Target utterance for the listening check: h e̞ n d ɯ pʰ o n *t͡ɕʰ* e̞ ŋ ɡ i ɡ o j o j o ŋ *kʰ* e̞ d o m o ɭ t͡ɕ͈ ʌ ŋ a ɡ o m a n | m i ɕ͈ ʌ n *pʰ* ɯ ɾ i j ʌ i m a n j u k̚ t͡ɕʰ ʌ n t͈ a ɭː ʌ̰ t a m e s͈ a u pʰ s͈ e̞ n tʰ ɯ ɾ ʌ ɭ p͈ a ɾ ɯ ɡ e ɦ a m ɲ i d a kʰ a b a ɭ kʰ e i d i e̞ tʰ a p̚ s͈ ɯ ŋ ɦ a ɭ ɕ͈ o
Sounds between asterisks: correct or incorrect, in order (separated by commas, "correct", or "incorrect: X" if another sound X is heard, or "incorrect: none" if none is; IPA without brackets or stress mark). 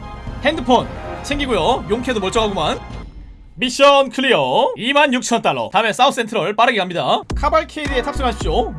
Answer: correct, correct, incorrect: kʰ